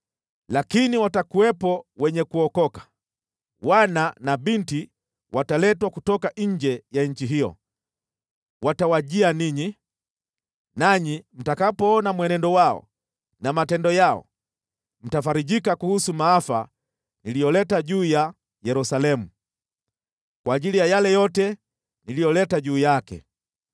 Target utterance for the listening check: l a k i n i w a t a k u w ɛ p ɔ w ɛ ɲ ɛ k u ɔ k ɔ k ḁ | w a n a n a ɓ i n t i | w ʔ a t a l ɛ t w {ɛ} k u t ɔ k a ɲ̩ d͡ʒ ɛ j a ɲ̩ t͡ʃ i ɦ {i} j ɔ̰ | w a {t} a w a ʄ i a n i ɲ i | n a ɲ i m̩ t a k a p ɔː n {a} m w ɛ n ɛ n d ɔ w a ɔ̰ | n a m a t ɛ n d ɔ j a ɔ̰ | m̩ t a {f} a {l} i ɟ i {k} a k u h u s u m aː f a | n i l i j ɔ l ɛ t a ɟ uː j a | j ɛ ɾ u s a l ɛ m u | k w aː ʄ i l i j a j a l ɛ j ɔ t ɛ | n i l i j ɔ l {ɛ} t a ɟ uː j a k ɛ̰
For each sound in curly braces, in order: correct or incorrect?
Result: incorrect: a, correct, correct, correct, correct, incorrect: ɾ, correct, correct

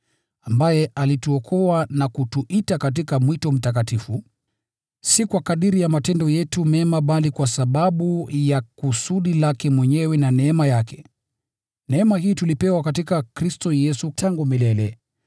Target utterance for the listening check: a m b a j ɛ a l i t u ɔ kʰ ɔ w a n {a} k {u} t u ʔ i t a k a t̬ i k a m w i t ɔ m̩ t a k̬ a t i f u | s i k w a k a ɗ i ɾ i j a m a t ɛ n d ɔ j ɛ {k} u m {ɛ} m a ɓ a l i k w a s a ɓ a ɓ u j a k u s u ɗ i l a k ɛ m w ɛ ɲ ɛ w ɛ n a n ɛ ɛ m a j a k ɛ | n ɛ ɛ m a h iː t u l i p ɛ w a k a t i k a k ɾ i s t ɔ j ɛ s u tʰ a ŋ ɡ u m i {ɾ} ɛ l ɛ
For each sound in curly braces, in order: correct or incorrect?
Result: correct, correct, incorrect: t, correct, incorrect: l

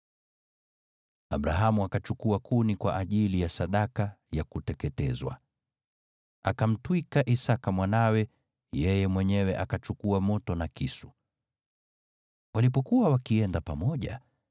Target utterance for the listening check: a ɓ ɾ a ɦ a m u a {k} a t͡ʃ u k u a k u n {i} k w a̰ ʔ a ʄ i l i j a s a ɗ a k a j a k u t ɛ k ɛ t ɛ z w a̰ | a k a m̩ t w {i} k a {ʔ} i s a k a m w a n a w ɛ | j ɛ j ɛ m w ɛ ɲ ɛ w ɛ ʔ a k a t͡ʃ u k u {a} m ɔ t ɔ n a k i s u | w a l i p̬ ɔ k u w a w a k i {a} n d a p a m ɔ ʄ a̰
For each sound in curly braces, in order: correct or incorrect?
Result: correct, correct, correct, correct, correct, incorrect: ɛ

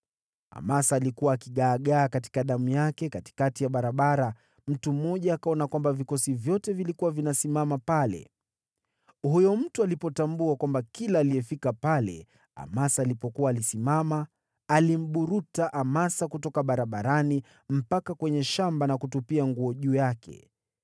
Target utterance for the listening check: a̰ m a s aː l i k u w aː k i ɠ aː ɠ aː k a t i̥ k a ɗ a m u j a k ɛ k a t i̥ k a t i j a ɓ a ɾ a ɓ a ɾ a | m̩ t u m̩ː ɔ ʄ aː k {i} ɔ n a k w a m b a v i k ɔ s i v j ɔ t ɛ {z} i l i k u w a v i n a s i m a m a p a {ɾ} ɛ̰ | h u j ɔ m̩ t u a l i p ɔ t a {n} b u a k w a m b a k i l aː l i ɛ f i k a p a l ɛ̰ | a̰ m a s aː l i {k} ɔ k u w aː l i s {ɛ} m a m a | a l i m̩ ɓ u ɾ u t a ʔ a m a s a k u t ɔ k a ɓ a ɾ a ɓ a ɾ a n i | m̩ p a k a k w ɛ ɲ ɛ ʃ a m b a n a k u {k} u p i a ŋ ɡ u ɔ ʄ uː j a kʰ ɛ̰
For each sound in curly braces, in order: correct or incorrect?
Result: incorrect: a, incorrect: v, incorrect: l, incorrect: m, incorrect: p, incorrect: i, incorrect: t

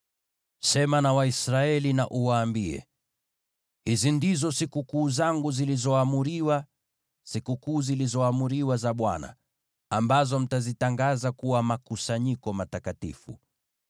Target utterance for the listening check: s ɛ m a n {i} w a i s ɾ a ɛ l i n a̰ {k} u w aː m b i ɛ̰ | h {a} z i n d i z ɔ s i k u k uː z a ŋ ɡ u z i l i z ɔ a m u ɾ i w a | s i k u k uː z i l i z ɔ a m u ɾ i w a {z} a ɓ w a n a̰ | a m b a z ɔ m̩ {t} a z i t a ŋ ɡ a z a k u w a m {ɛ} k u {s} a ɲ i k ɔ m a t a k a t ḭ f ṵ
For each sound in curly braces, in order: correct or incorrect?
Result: incorrect: a, incorrect: ʔ, incorrect: i, correct, correct, incorrect: a, correct

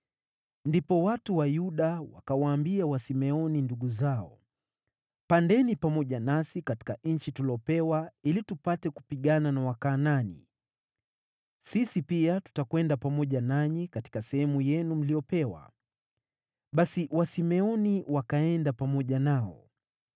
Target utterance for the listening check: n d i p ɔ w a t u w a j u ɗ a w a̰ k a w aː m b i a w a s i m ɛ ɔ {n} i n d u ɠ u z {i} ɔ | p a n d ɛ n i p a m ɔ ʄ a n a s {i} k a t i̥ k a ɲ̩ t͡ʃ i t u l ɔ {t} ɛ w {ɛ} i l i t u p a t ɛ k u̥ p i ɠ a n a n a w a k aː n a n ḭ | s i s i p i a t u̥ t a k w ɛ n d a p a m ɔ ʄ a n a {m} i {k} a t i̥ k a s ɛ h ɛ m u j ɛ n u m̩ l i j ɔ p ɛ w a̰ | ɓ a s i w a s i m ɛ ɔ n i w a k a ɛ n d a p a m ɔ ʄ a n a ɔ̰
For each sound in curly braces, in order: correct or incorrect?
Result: correct, incorrect: a, correct, incorrect: p, incorrect: a, incorrect: ɲ, correct

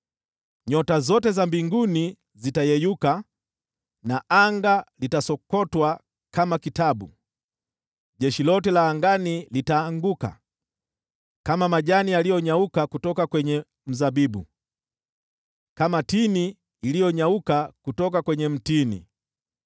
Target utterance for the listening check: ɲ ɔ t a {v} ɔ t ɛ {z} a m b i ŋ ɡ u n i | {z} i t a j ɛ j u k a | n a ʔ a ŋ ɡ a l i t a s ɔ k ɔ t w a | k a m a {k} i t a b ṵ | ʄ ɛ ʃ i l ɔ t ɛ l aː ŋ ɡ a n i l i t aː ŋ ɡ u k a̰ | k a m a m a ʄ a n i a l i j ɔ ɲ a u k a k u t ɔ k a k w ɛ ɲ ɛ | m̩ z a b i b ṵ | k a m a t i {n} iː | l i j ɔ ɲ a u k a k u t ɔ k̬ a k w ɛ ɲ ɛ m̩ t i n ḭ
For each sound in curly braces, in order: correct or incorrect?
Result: incorrect: z, correct, correct, correct, correct

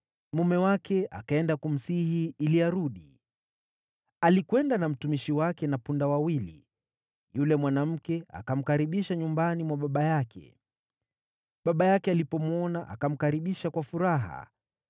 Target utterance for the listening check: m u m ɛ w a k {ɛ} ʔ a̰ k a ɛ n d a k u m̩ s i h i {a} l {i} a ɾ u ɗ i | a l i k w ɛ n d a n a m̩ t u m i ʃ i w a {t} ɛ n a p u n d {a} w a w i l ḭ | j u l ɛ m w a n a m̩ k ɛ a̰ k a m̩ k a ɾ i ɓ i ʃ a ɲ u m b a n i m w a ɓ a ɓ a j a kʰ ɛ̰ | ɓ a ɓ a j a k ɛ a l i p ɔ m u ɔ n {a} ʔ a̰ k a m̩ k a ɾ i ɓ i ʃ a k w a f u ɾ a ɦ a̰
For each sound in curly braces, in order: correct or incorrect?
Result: correct, incorrect: i, correct, incorrect: k, correct, correct

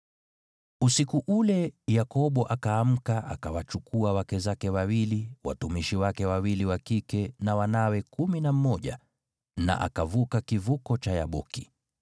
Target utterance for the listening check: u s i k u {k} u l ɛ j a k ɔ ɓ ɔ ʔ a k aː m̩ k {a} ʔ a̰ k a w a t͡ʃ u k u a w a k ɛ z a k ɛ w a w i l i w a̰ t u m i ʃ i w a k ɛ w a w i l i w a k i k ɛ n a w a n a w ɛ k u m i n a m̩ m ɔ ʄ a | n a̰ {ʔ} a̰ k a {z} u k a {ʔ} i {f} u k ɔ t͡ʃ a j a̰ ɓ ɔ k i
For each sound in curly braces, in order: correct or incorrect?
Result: incorrect: ʔ, correct, correct, incorrect: v, incorrect: k, incorrect: v

